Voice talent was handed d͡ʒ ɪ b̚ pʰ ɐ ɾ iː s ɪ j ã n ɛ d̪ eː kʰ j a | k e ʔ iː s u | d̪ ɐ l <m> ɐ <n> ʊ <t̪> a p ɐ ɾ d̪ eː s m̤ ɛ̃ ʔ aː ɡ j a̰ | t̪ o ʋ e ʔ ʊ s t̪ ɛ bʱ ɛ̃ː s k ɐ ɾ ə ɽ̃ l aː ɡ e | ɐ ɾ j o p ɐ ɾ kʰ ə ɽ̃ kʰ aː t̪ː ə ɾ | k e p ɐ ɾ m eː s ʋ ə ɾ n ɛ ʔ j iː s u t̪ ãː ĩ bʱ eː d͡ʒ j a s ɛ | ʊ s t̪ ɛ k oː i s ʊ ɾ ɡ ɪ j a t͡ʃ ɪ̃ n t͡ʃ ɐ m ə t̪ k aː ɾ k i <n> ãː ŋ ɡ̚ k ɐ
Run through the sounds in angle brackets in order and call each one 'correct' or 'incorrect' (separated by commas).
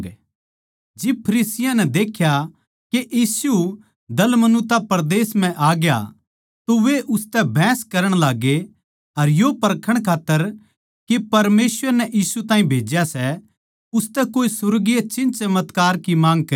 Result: correct, correct, correct, incorrect